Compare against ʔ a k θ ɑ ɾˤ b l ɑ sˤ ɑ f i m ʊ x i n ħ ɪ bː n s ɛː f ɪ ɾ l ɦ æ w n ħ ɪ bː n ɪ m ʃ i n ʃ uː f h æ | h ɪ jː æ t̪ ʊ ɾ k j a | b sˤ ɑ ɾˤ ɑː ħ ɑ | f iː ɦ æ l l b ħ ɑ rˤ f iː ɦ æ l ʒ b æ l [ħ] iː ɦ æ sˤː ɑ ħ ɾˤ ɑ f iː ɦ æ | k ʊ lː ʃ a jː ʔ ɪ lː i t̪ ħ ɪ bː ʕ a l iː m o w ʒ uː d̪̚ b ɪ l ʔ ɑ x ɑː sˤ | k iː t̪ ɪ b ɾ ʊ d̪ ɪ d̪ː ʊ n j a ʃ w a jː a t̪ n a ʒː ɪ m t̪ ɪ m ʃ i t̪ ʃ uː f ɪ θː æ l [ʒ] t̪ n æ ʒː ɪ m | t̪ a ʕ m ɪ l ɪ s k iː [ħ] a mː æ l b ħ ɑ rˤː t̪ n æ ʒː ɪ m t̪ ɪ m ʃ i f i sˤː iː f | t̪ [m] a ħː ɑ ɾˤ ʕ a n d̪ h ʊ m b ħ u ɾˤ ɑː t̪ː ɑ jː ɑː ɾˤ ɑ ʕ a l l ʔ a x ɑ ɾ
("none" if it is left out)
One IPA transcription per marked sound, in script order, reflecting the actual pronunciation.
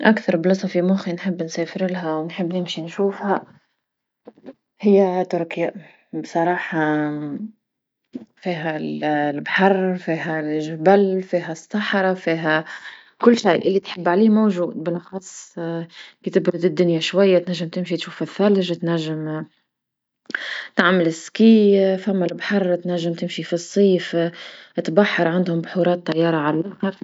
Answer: f, ʒ, f, b

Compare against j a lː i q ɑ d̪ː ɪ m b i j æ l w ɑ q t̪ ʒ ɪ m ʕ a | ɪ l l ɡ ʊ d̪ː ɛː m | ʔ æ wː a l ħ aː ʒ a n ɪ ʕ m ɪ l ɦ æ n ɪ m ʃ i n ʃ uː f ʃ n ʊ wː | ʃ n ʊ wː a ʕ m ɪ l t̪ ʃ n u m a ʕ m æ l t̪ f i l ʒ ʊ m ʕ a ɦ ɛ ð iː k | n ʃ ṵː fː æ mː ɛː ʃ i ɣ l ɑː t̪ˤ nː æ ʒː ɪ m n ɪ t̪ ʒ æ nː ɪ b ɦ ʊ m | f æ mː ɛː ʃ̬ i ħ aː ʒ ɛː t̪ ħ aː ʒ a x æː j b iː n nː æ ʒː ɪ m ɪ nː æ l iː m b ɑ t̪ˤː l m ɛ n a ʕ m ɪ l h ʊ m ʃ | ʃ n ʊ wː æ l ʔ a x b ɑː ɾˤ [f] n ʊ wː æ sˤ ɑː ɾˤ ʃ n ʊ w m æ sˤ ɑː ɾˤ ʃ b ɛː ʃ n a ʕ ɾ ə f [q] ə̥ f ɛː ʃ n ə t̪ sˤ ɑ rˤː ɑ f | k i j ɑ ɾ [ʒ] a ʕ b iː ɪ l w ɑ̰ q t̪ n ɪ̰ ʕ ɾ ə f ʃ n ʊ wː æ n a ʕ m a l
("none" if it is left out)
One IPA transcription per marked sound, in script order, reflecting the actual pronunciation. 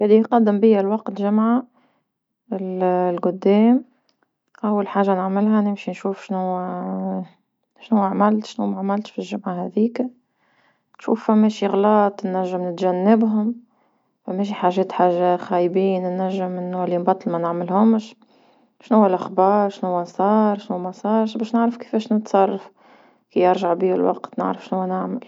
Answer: ʃ, k, ʒ

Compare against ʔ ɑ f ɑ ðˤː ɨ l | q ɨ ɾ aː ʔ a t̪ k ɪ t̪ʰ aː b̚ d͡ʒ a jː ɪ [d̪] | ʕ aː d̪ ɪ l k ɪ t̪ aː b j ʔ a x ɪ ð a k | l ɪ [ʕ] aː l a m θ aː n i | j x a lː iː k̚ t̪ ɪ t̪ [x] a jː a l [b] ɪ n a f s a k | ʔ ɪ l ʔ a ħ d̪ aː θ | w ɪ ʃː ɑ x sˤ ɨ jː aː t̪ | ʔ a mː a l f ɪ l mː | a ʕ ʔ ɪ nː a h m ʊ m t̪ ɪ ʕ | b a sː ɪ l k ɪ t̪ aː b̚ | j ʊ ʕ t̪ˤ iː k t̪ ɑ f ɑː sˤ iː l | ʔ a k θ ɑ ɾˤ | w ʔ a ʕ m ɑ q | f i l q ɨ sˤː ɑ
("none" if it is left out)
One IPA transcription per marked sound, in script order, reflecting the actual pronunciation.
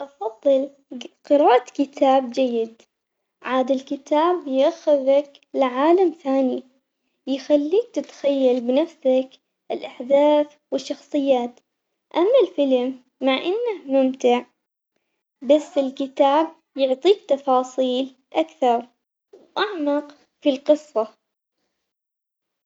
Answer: d̪, ʕ, x, b

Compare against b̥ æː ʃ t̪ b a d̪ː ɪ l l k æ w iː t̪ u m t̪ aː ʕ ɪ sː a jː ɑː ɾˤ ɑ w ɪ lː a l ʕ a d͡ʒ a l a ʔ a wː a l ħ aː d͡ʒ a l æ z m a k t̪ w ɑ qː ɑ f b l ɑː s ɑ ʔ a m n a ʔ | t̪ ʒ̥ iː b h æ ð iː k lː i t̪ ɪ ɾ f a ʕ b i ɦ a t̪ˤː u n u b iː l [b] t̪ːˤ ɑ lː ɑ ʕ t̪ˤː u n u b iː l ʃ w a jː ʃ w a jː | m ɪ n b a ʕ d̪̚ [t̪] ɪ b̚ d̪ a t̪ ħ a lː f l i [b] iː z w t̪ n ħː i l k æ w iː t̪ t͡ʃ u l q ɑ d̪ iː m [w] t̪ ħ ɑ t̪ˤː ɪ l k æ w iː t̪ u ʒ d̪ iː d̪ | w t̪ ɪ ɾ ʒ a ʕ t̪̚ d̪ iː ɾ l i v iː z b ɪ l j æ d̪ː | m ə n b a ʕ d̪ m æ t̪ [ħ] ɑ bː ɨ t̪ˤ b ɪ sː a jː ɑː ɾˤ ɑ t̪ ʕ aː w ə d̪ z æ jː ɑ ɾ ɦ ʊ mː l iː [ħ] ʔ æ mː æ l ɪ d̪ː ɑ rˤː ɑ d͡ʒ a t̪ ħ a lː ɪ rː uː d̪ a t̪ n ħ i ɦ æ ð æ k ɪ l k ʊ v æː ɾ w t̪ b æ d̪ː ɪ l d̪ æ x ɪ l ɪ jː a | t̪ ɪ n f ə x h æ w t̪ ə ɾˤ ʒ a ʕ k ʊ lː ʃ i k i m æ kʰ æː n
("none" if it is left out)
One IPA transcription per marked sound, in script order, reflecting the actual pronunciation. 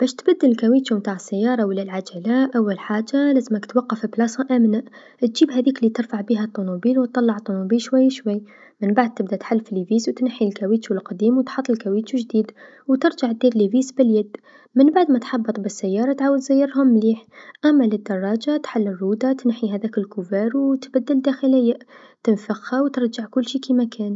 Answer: w, t̪, v, w, ħ, ħ

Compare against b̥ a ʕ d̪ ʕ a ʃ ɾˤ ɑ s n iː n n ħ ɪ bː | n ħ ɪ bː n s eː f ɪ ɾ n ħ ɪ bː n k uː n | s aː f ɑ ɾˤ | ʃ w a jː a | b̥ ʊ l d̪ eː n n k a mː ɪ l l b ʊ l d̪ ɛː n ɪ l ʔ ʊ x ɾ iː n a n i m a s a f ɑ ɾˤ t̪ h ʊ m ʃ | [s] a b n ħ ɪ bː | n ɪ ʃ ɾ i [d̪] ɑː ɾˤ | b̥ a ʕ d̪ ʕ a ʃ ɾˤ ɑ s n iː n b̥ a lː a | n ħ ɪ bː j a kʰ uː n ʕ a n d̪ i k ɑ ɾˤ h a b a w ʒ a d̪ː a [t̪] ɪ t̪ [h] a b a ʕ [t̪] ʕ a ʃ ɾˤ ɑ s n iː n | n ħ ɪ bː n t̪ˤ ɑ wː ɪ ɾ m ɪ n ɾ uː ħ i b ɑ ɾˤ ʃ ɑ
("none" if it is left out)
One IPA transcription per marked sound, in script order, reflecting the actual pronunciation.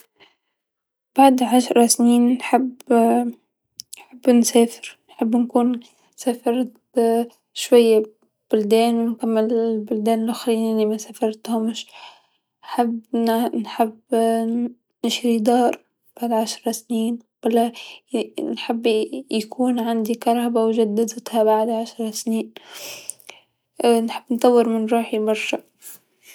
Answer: ħ, d̪, d̪, h, d̪

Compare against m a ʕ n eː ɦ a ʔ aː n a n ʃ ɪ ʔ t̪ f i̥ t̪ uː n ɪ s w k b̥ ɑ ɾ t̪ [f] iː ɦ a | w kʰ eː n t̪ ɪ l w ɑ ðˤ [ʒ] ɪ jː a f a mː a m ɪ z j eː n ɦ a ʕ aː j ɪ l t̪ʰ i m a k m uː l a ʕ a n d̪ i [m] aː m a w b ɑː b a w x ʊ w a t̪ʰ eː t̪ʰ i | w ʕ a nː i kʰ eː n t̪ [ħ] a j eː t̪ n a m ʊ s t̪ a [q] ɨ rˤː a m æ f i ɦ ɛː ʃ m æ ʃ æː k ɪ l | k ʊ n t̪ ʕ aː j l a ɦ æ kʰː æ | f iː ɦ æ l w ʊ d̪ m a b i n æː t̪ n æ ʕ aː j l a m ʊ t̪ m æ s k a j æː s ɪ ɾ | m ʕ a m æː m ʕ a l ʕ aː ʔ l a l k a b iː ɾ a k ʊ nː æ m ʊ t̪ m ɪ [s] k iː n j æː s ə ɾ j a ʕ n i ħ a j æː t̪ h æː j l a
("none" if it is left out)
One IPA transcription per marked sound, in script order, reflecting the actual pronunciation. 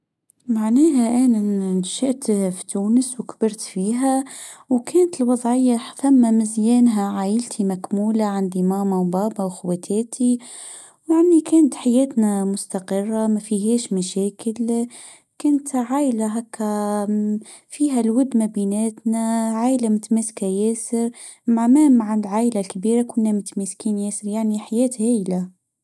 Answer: f, ʕ, m, ħ, q, s

